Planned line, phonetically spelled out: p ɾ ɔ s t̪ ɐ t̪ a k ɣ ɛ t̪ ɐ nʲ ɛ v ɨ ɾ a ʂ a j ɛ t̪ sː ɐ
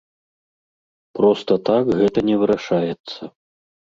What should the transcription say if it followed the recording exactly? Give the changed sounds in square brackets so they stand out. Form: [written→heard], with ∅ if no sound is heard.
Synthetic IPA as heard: p ɾ ɔ s t̪ ɐ t̪ a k ɣ ɛ t̪ ɐ nʲ ɛ v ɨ ɾ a ʂ a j ɛ t̪ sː ɐ